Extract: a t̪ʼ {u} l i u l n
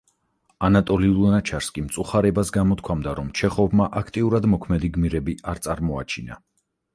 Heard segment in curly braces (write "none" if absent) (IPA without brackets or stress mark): ɔ